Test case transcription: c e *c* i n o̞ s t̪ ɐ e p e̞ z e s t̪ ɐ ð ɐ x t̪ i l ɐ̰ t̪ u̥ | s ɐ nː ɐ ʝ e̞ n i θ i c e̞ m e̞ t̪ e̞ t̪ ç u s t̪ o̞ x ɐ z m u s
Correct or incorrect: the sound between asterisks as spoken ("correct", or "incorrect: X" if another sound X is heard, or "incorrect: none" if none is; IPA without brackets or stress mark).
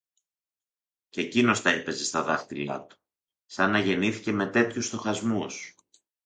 correct